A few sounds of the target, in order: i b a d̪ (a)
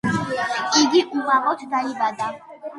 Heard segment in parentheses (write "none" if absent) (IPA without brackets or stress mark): a